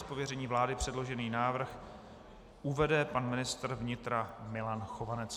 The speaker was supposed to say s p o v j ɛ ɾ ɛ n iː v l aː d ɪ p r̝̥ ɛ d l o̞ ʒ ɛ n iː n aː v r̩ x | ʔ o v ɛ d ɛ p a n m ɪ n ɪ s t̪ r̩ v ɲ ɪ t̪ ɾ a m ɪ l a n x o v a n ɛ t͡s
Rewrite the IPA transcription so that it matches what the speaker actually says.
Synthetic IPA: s p o v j ɛ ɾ ɛ ɲ iː v l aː d ɪ p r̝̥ ɛ d l o̞ ʒ ɛ n iː n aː v r̩ x | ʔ u v ɛ d ɛ p a n m ɪ n ɪ s t̪ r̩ v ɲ ɪ t̪ ɾ a m ɪ l a n x o v a n ɛ t͡s